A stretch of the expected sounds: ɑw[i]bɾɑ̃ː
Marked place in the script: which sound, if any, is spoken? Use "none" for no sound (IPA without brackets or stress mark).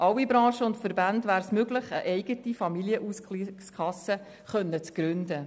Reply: i